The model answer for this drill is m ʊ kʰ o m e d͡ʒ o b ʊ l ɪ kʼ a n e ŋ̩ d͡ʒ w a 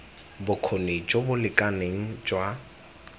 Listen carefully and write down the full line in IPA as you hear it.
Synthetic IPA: b ʊ kʰ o n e d͡ʒ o b ʊ l ɪ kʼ a n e ŋ̩ d͡ʒ w a